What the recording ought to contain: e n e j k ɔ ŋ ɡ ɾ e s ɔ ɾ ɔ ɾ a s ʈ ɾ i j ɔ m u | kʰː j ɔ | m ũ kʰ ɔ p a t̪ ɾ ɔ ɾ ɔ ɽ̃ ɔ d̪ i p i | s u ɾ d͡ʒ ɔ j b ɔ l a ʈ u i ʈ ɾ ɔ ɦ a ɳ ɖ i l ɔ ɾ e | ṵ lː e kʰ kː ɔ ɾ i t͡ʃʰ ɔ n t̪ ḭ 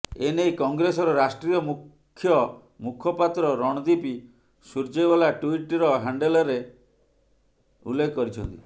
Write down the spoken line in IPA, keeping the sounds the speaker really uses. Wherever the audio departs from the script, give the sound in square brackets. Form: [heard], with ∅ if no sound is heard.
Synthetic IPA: e n e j k ɔ ŋ ɡ ɾ e s ɔ ɾ ɔ ɾ a s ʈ ɾ i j ɔ m u | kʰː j ɔ | m [u] kʰ ɔ p a t̪ ɾ ɔ ɾ ɔ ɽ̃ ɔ d̪ i p i | s u ɾ d͡ʒ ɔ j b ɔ l a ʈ u i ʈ ɾ ɔ ɦ a ɳ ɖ [e] l ɔ ɾ e | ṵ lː e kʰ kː ɔ ɾ i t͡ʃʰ ɔ n t̪ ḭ